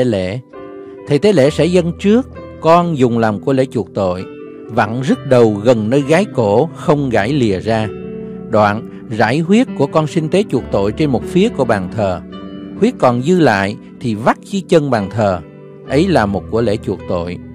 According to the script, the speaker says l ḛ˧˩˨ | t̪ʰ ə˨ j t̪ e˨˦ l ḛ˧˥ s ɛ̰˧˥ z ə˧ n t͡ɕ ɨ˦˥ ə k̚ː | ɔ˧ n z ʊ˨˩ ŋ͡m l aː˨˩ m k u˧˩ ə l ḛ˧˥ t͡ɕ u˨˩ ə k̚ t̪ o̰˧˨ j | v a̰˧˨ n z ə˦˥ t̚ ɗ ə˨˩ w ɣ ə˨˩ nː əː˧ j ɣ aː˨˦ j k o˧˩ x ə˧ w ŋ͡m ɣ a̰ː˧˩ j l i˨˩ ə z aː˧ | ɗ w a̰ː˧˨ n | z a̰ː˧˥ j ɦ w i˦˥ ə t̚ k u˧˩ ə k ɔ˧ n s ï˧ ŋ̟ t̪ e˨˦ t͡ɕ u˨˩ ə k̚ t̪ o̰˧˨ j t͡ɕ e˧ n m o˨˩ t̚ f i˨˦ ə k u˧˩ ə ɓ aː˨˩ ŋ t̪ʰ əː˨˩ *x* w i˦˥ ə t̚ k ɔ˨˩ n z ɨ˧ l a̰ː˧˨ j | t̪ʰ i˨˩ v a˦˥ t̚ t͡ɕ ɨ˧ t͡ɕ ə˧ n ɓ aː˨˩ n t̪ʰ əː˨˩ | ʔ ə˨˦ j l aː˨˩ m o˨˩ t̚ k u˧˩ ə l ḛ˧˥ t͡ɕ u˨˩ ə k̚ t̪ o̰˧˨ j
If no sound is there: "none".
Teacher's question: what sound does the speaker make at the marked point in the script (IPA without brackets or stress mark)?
h